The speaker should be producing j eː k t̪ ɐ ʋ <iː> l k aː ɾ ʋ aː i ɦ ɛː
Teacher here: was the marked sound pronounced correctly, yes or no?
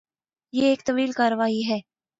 yes